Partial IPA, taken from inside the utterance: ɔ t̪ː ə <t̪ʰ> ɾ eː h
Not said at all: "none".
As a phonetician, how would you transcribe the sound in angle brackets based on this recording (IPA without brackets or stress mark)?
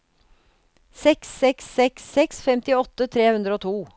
t̪ʰ